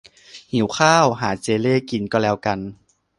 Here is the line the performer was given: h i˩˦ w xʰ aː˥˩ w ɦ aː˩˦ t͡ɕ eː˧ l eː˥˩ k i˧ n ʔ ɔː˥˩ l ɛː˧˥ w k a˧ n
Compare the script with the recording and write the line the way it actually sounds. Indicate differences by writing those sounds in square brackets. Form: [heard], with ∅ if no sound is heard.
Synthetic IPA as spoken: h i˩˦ w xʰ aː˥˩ w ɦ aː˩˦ t͡ɕ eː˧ l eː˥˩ k i˧ n [k] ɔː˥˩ l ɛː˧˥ w k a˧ n